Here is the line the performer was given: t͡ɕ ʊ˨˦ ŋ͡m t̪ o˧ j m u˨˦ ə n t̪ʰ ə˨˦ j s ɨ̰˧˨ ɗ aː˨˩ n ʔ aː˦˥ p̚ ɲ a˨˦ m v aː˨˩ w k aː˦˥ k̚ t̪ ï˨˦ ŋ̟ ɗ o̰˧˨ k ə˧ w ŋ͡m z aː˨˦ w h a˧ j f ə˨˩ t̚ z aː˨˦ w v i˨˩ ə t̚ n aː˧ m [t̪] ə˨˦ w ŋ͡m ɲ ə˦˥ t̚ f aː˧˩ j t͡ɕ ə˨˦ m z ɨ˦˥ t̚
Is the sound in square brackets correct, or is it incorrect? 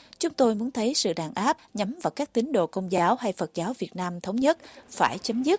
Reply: incorrect